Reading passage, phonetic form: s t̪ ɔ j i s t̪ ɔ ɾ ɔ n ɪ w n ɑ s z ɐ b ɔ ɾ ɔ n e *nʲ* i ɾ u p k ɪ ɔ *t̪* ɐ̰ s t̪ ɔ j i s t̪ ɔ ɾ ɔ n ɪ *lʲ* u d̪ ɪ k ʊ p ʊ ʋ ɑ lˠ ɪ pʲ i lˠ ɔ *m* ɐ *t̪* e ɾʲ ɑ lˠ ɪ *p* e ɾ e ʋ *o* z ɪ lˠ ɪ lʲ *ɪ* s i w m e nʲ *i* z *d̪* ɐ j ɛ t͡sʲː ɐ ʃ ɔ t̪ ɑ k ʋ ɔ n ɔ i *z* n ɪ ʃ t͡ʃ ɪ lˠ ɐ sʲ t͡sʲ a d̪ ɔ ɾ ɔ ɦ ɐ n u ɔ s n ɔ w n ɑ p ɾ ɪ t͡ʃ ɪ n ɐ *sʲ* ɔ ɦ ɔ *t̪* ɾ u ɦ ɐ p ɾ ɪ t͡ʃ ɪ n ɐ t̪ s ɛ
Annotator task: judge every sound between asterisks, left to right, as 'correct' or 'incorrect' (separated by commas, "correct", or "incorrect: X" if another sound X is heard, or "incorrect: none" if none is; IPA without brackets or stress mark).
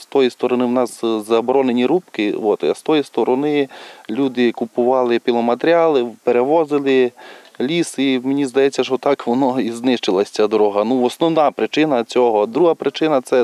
correct, correct, correct, correct, correct, correct, incorrect: ɔ, incorrect: i, correct, correct, correct, incorrect: t͡sʲ, incorrect: d̪